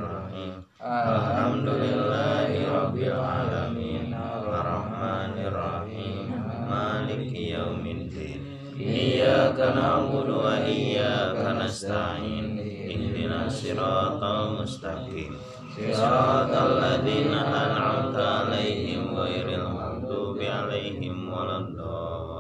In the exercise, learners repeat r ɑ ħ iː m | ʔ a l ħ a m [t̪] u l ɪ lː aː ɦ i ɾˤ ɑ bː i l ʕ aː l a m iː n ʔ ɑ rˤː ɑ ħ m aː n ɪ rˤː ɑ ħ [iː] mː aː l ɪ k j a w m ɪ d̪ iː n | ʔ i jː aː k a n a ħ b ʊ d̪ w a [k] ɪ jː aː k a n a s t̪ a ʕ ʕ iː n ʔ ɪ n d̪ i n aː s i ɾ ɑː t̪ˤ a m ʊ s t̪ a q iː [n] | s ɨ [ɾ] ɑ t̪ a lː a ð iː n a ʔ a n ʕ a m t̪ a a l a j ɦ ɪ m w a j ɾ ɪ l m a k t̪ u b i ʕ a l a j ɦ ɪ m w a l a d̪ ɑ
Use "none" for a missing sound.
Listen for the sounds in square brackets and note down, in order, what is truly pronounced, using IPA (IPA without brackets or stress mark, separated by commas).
d̪, iː, ʔ, m, ɾ